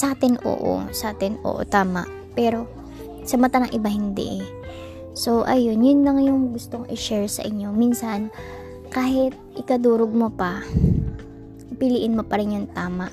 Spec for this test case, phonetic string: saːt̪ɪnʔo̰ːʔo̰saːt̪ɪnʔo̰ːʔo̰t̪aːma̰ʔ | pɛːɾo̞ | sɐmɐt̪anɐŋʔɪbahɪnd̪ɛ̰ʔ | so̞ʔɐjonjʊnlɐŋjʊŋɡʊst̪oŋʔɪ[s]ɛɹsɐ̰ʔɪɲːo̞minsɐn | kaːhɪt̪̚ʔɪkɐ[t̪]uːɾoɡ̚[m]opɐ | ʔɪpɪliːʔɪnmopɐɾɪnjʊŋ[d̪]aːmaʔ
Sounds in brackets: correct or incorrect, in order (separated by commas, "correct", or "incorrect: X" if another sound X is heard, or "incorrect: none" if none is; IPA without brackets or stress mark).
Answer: incorrect: ʃ, incorrect: d̪, correct, incorrect: t̪